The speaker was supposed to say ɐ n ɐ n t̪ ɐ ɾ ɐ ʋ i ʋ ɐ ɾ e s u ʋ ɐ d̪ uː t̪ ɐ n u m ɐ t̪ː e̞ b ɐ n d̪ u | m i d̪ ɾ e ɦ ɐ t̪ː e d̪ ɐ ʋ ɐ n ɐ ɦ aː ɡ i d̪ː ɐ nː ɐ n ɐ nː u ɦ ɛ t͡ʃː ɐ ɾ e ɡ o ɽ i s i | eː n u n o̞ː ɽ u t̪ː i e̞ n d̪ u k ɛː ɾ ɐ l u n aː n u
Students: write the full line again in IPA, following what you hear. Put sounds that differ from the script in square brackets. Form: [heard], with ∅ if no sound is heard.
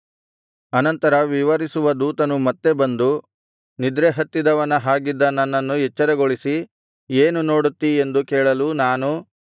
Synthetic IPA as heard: ɐ n ɐ n t̪ ɐ ɾ ɐ ʋ i ʋ ɐ ɾ [i] s u ʋ ɐ d̪ uː t̪ ɐ n u m ɐ t̪ː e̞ b ɐ n d̪ u | [n] i d̪ ɾ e ɦ ɐ t̪ː [i] d̪ ɐ ʋ ɐ n ɐ ɦ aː ɡ i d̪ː ɐ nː ɐ [nː] ɐ nː u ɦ ɛ t͡ʃː ɐ ɾ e ɡ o [ɭ] i s i | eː n u n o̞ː ɽ u t̪ː i e̞ n d̪ u k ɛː [ɭ] ɐ l u n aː n u